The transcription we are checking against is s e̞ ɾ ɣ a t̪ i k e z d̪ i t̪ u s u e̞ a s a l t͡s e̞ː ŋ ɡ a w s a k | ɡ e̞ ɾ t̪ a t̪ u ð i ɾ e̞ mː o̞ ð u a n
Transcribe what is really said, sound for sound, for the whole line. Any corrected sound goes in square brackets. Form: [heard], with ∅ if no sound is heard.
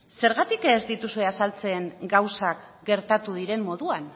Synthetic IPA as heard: s e̞ ɾ ɣ a t̪ i k e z d̪ i t̪ u s u e̞ a s a l t͡s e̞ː ŋ ɡ a w s a k | ɡ e̞ ɾ t̪ a t̪ u ð i ɾ e̞ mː o̞ ð u a n

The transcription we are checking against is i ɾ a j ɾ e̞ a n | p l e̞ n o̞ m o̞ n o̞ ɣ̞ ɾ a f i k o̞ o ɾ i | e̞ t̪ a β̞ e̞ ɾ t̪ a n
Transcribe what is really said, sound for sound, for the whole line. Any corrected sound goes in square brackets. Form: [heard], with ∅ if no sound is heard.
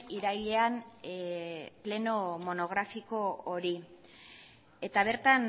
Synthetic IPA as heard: i ɾ a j [ʎ] e̞ a n | p l e̞ n o̞ m o̞ n o̞ ɣ̞ ɾ a f i k o̞ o ɾ i | e̞ t̪ a β̞ e̞ ɾ t̪ a n

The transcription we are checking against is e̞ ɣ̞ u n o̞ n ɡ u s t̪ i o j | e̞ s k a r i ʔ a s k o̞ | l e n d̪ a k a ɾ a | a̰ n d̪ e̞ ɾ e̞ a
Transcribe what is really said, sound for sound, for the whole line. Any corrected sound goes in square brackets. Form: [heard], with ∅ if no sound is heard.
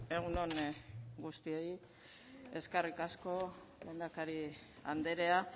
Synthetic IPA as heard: e̞ ɣ̞ u n o̞ n ɡ u s t̪ i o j | e̞ s k a r i [k] a s k o̞ | l e n d̪ a k a ɾ [i] | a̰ n d̪ e̞ ɾ e̞ a

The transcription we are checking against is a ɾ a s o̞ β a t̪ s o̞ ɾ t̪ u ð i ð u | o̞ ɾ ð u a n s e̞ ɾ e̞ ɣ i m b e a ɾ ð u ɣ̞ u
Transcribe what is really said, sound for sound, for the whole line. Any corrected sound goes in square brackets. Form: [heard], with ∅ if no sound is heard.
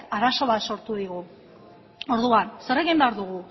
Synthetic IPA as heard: a ɾ a s o̞ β a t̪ s o̞ ɾ t̪ u ð i [ɣ] u | o̞ ɾ ð u a n s e̞ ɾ e̞ ɣ i m b e a ɾ ð u ɣ̞ u

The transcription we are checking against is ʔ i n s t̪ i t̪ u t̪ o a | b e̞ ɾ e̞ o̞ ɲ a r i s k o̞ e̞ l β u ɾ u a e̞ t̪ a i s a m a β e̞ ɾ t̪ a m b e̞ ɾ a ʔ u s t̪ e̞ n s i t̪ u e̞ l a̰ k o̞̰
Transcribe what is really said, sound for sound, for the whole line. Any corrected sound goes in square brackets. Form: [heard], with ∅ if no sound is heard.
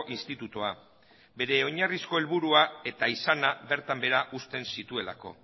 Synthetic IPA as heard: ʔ i n s t̪ i t̪ u t̪ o a | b e̞ ɾ e̞ o̞ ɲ a r i s k o̞ e̞ l β u ɾ u a e̞ t̪ a i s a [n] a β e̞ ɾ t̪ a m b e̞ ɾ a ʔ u s t̪ e̞ n s i t̪ u e̞ l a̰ k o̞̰

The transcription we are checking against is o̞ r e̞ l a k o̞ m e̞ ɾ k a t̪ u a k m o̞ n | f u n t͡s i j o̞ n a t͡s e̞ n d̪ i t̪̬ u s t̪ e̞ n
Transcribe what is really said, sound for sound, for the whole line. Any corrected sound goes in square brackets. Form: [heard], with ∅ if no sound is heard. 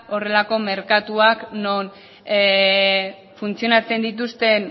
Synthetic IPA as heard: o̞ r e̞ l a k o̞ m e̞ ɾ k a t̪ u a k [n] o̞ n | f u n t͡s i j o̞ n a t͡s e̞ n d̪ i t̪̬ u s t̪ e̞ n

